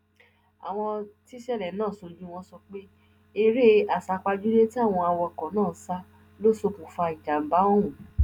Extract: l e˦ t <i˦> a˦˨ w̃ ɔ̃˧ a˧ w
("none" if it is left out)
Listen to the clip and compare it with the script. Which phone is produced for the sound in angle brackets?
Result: i˦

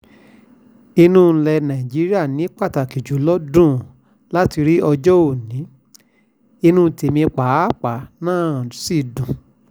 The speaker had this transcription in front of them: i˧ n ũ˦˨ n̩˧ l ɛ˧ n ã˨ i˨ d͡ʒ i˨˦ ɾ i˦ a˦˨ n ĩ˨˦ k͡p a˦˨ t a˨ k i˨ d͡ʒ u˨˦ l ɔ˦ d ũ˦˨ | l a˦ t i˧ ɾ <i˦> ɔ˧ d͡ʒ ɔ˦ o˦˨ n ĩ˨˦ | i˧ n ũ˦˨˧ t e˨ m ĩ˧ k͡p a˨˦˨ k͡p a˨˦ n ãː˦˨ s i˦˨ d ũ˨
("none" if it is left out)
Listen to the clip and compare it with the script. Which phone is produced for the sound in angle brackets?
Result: i˦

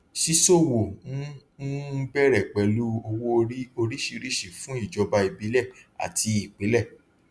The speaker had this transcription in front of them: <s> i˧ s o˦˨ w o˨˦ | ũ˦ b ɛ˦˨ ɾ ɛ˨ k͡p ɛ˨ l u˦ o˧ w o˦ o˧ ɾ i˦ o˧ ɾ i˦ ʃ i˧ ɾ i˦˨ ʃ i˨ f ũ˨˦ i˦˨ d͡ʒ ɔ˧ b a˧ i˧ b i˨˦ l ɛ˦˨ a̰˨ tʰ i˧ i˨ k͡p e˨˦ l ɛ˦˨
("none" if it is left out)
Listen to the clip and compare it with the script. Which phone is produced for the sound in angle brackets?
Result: ʃ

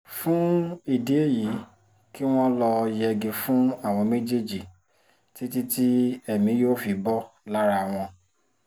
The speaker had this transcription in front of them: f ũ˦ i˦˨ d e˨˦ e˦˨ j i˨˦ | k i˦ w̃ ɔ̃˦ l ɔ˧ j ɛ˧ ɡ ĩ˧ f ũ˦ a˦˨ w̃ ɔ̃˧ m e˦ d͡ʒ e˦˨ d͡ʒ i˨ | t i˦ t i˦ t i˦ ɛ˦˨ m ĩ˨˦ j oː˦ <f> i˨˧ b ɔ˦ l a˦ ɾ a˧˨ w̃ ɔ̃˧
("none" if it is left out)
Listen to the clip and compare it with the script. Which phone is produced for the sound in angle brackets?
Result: f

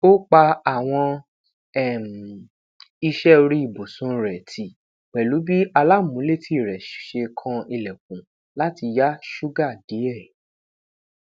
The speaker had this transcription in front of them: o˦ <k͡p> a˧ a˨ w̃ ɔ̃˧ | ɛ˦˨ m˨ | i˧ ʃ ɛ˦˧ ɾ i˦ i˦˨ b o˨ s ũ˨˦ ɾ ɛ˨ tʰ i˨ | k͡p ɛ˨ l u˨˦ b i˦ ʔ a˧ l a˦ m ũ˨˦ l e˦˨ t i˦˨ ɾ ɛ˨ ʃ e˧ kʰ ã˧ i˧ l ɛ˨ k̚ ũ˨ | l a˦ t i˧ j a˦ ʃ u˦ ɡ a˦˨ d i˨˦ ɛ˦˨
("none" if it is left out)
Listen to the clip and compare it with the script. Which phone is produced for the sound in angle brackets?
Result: k͡p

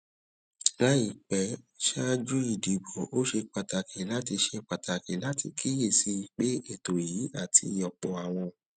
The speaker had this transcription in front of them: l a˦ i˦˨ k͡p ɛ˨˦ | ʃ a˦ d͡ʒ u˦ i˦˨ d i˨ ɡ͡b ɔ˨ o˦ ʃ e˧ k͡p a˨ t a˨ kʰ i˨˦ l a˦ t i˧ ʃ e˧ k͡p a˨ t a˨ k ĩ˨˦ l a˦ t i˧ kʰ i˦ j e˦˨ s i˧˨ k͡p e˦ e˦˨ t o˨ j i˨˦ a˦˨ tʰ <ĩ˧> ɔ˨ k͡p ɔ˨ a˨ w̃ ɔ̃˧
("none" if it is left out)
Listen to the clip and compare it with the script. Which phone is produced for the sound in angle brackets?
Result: i˧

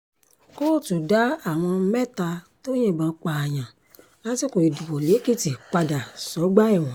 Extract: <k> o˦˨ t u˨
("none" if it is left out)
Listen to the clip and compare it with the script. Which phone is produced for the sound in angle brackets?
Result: k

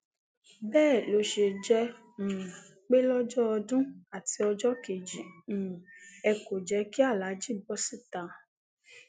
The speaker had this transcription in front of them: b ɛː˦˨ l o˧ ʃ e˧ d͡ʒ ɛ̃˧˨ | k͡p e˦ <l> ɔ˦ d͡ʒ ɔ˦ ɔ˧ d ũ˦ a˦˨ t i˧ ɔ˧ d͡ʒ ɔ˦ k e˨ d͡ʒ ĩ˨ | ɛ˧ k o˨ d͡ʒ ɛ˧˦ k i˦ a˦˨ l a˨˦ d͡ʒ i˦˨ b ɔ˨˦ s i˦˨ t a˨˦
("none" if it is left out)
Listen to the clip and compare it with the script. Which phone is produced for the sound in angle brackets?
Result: l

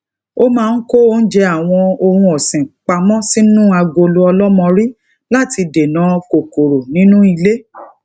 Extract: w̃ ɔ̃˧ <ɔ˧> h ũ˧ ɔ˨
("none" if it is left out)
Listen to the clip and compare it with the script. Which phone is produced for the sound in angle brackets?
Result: o˧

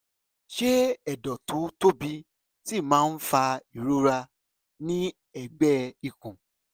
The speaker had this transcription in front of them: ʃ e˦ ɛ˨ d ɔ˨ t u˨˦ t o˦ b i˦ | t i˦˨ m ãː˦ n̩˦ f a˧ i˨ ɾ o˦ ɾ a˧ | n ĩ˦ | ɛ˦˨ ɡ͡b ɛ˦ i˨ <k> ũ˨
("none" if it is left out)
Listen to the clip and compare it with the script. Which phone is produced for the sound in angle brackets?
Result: k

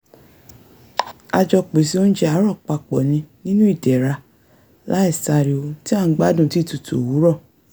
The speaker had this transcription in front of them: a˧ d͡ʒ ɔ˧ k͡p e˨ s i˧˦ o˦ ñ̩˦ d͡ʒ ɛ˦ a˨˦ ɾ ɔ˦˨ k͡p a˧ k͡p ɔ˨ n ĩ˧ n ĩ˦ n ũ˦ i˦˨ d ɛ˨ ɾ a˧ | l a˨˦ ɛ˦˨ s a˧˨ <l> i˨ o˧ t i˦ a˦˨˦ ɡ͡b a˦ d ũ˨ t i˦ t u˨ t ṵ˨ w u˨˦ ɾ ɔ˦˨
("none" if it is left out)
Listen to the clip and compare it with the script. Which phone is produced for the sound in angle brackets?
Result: ɾ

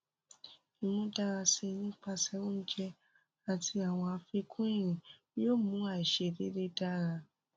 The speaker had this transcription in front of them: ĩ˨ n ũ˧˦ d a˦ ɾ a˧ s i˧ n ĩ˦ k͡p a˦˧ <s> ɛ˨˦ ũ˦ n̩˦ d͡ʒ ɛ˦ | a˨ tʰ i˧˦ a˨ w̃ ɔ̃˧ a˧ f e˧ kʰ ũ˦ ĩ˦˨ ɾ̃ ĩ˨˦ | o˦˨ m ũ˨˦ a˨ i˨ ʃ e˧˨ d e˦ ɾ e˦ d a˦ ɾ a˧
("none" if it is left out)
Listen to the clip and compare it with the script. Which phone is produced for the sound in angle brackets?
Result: s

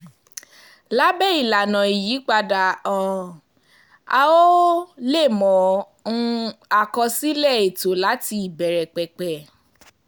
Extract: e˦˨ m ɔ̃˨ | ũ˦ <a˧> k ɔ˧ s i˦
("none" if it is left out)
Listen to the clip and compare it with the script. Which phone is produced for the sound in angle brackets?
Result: a˧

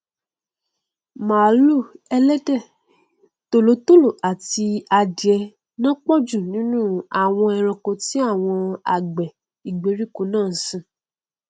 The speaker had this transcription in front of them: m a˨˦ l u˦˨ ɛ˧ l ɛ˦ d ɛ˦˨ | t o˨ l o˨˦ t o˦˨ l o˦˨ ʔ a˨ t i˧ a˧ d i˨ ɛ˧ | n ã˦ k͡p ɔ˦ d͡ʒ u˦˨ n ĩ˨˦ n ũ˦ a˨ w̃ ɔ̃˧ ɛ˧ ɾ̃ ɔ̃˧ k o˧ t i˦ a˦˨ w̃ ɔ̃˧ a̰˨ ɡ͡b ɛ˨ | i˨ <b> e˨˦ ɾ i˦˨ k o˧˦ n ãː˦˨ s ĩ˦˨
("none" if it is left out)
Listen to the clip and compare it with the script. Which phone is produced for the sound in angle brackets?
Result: ɡ͡b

